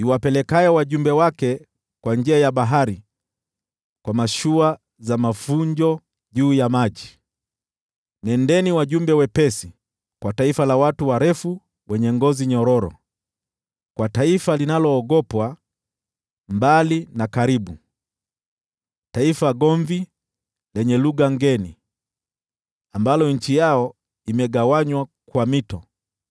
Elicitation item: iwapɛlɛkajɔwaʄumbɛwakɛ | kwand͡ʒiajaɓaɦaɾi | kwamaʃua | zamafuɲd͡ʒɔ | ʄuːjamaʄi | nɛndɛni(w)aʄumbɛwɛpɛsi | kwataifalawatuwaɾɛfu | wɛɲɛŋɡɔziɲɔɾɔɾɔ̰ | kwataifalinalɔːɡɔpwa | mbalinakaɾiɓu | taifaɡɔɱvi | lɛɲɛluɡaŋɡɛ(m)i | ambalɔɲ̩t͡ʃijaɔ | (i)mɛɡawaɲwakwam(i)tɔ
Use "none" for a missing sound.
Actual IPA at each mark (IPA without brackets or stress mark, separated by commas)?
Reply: w, n, i, i